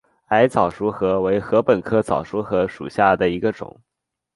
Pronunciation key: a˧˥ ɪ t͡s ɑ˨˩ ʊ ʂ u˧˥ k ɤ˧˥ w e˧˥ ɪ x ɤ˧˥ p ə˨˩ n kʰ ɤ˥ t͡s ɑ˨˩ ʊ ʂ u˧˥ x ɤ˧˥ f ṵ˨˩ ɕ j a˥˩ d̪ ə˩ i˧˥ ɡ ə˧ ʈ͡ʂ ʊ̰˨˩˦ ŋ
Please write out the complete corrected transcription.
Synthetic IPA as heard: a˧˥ ɪ t͡s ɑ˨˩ ʊ ʂ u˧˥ x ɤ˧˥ w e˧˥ ɪ x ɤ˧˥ p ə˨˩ n kʰ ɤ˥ t͡s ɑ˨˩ ʊ ʂ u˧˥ x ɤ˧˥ ʂ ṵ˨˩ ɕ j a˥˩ d̪ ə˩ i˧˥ ɡ ə˧ ʈ͡ʂ ʊ̰˨˩˦ ŋ